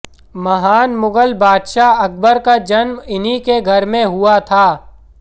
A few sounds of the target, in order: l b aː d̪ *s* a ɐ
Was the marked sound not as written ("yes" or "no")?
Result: yes